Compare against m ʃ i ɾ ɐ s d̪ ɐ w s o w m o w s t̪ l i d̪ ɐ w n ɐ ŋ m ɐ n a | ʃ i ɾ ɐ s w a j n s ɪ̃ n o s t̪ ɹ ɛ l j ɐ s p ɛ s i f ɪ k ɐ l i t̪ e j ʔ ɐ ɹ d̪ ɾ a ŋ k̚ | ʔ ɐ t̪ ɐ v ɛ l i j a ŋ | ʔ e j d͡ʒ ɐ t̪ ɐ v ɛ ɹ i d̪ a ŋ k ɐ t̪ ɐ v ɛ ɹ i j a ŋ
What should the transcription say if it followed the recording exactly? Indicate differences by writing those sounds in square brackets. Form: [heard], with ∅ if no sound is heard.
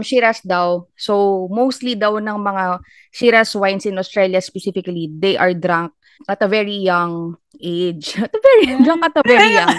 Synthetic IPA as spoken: m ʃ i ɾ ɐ s d̪ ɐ w s o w m o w s t̪ l i d̪ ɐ w n ɐ ŋ m ɐ [ŋ] a | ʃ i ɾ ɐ s w a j n s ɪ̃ n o s t̪ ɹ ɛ l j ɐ s p ɛ s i f ɪ k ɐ l i [d̪] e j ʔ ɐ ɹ d̪ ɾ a ŋ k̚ | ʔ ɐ t̪ ɐ v ɛ [ɹ] i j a ŋ | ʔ e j d͡ʒ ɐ t̪ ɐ v ɛ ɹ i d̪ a ŋ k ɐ t̪ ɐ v ɛ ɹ i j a ŋ